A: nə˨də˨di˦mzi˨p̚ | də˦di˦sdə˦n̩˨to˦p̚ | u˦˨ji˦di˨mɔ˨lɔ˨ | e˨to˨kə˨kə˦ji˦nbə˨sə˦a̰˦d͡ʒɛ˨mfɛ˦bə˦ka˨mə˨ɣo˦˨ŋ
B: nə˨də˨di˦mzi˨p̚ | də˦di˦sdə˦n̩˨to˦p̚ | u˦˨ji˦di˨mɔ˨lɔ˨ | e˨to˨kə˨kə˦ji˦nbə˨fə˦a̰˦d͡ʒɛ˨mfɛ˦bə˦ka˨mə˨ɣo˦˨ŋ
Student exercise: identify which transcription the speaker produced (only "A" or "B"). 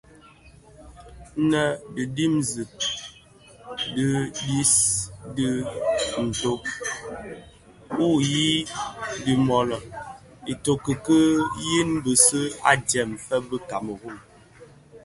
A